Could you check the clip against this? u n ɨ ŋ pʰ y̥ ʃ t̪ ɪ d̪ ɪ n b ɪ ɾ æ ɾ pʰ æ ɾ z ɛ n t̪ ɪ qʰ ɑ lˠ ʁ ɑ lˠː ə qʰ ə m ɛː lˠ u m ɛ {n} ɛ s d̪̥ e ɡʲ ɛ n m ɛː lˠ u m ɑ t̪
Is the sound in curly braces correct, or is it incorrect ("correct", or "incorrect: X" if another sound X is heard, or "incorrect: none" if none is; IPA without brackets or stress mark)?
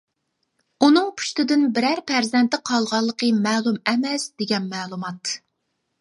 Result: incorrect: m